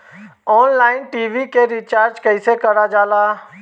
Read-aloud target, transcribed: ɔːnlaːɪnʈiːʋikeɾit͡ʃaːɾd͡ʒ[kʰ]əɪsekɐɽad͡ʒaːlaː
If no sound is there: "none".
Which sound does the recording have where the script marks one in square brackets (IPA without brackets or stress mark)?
k